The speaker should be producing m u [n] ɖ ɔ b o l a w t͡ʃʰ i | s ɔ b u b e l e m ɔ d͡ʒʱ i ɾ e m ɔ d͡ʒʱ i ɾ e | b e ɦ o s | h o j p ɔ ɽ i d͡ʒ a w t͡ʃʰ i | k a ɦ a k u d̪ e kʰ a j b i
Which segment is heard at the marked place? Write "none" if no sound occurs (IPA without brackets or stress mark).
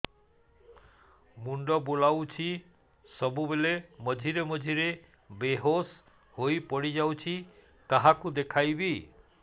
ɳ